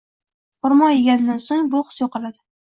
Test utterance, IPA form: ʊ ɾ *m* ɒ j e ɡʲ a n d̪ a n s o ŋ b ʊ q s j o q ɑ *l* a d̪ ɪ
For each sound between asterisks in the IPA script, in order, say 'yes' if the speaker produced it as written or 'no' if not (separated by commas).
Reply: yes, yes